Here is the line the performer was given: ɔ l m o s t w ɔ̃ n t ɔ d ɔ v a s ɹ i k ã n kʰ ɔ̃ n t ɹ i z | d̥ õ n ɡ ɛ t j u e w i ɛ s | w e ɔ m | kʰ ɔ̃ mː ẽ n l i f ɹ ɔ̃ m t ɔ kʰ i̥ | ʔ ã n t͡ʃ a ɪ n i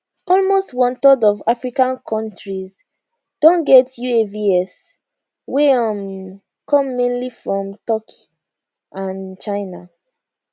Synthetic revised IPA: ɔ l m o s t w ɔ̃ n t ɔ d ɔ v a f ɹ i k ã n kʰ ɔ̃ n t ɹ i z | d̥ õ n ɡ ɛ t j u e v i ɛ s | w e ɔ m | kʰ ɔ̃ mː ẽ n l i f ɹ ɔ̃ m t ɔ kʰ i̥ | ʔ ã n t͡ʃ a ɪ n a